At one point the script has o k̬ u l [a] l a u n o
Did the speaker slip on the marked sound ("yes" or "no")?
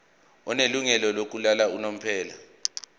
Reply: no